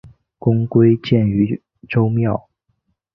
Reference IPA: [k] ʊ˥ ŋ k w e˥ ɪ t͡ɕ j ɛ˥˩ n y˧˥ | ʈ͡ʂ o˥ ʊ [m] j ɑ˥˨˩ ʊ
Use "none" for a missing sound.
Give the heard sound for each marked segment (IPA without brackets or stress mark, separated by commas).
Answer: k, m